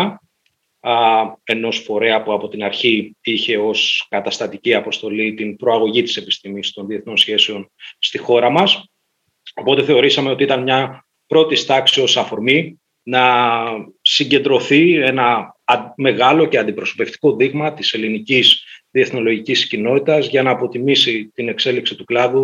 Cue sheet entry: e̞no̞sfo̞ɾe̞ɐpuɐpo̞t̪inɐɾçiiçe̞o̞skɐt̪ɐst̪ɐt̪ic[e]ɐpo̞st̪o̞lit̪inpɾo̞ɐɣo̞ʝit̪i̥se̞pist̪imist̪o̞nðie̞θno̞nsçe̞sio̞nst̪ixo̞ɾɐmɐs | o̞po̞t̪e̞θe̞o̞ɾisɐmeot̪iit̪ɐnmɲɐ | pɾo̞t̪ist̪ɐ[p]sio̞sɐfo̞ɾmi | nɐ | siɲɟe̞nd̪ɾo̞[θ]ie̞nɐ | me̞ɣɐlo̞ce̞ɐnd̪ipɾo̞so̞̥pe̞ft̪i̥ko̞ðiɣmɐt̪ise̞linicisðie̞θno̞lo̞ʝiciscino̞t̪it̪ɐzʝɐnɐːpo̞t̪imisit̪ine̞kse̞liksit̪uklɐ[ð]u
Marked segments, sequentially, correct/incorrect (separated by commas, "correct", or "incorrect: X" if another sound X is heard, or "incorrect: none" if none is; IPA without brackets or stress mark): incorrect: i, incorrect: k, correct, correct